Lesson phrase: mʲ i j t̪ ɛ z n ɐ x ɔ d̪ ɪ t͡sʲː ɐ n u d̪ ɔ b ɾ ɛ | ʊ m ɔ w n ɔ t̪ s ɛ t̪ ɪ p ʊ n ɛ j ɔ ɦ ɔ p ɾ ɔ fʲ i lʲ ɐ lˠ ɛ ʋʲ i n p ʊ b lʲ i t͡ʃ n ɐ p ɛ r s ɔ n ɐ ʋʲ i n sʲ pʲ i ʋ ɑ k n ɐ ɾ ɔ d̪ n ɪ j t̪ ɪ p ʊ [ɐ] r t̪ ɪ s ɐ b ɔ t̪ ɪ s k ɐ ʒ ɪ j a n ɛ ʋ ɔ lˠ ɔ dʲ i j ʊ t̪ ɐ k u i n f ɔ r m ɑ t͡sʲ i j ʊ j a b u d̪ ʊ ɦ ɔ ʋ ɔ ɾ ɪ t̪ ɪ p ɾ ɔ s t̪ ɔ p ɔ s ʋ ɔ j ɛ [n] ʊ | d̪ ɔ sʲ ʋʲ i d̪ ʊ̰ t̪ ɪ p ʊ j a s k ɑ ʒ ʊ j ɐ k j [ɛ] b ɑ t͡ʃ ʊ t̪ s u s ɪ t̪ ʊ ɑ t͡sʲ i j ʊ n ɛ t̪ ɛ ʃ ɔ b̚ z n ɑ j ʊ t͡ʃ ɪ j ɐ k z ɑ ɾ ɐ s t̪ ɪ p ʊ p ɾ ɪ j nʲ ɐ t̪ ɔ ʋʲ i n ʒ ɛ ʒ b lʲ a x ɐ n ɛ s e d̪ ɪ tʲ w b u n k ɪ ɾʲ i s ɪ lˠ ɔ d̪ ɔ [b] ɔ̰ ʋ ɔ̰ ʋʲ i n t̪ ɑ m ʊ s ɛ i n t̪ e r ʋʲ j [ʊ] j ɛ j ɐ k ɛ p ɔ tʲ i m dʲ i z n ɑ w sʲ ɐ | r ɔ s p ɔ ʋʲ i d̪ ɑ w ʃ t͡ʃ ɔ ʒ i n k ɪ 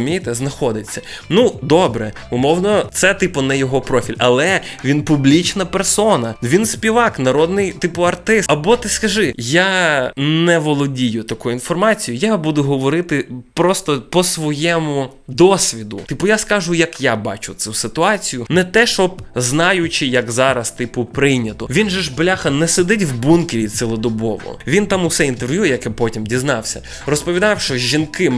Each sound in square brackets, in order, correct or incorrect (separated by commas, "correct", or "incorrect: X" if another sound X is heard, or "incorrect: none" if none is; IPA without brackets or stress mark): correct, incorrect: m, incorrect: a, correct, incorrect: u